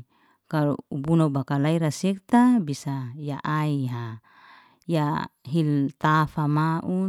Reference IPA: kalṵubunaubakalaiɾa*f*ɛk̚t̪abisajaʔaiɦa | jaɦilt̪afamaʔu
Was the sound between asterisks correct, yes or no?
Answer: no